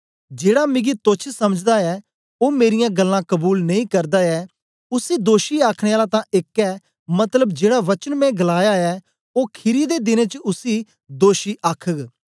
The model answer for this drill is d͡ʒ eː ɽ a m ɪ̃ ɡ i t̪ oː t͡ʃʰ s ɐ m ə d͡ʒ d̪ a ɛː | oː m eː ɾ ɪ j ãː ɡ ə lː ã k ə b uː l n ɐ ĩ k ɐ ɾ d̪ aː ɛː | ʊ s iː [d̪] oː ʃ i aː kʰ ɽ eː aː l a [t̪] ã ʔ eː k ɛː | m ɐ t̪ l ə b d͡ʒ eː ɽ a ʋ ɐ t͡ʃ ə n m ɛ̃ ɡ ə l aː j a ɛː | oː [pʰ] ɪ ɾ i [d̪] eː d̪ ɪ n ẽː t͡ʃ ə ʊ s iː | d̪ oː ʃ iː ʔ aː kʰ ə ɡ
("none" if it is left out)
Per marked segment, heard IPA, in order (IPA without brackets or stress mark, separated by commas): d̪, t̪, kʰ, d̪